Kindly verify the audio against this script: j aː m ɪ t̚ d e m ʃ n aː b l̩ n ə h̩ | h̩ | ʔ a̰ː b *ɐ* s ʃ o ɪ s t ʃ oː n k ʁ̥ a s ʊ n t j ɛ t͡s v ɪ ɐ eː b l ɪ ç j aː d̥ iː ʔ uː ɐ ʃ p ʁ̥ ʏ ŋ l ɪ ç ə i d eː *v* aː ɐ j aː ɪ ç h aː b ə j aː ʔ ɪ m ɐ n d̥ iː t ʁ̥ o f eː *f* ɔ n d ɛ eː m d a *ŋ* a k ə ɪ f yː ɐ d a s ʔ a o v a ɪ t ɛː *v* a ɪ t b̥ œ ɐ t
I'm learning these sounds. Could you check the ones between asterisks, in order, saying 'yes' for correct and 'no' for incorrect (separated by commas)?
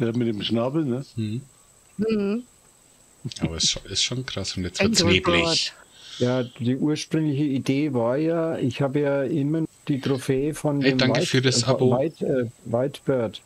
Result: yes, yes, yes, yes, yes